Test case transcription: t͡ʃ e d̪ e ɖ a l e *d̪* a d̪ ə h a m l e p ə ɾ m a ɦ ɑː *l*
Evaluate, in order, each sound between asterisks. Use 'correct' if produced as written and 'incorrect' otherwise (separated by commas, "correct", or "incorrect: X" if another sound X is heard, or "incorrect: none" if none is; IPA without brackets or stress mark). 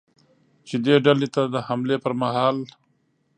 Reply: incorrect: t̪, correct